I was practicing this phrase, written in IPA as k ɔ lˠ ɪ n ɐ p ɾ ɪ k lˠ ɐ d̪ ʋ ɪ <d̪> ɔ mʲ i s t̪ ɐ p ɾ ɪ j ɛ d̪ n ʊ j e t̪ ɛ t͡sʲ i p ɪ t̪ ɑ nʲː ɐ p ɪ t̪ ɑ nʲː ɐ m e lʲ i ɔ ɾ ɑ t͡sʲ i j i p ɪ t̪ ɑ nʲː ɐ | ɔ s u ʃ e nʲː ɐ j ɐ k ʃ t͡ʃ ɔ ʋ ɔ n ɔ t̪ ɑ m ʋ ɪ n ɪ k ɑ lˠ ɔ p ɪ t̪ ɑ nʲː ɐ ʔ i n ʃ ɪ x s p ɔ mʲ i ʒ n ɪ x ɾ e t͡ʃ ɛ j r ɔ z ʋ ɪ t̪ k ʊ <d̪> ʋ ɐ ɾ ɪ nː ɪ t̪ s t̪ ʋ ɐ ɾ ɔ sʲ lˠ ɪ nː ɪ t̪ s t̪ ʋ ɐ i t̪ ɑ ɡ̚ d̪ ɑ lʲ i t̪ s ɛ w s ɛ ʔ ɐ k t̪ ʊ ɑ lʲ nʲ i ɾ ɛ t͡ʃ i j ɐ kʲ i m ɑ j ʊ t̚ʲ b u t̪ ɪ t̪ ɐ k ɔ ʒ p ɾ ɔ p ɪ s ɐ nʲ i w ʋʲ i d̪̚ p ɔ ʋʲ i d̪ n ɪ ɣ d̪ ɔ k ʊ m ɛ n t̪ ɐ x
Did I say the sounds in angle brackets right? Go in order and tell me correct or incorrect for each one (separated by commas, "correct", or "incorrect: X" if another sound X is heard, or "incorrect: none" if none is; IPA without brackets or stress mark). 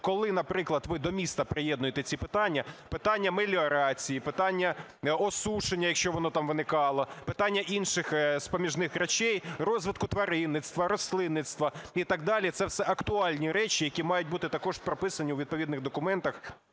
correct, incorrect: t̪